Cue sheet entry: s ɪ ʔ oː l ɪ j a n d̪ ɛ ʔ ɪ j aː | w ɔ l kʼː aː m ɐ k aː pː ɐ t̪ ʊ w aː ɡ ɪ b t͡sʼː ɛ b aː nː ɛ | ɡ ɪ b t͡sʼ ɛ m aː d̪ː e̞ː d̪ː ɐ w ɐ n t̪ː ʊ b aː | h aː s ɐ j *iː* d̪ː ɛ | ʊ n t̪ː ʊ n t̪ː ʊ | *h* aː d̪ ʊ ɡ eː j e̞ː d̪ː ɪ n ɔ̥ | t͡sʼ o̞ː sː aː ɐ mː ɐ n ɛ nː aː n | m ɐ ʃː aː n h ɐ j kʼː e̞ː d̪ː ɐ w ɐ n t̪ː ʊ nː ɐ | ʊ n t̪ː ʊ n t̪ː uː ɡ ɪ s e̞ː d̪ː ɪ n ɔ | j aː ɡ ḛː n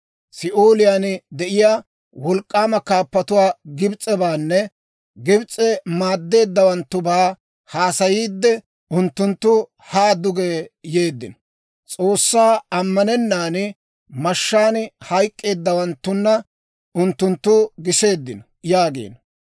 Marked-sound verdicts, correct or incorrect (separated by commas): correct, correct